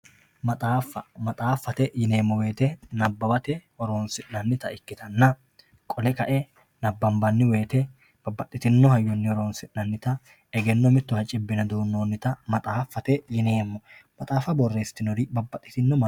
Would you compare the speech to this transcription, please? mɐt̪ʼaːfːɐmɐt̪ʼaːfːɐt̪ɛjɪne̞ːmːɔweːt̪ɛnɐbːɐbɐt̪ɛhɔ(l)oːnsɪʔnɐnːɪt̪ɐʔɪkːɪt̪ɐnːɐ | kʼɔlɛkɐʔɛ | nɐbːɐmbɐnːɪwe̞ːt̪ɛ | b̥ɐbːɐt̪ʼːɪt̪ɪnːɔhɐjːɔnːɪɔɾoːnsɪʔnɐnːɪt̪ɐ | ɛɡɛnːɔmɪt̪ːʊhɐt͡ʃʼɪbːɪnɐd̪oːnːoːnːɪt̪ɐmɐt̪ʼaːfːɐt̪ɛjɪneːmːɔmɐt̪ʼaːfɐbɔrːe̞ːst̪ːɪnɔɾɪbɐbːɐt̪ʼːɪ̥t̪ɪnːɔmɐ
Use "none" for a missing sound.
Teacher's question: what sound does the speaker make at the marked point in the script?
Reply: ɾ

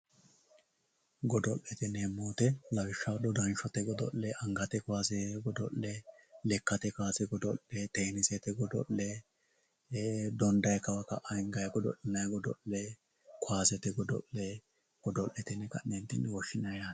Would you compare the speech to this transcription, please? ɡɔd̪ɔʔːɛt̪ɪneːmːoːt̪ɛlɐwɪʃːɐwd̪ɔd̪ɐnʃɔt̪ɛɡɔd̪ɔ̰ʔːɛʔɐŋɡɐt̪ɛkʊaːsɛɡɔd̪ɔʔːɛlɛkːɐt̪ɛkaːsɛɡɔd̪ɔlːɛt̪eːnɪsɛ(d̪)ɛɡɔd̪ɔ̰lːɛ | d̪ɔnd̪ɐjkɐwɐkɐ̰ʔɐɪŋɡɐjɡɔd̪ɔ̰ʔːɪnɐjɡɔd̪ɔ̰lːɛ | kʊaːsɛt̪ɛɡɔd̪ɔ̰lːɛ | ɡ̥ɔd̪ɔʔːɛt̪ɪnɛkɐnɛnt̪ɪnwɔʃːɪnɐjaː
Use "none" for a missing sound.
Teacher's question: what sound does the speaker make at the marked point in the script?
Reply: t̪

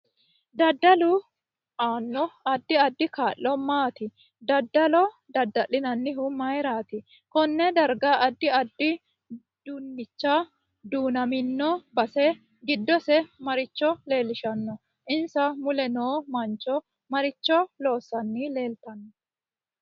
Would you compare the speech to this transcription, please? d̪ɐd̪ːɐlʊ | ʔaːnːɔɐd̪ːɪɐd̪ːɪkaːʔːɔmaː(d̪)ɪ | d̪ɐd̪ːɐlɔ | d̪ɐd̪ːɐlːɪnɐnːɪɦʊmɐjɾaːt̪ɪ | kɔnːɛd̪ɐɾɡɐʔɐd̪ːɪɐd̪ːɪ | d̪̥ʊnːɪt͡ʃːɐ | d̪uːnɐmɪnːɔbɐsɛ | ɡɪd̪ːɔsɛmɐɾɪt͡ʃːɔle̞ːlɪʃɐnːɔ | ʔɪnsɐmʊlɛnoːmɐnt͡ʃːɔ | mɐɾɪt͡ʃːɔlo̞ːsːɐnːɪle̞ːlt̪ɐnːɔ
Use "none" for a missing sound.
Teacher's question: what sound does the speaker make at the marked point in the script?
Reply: t̪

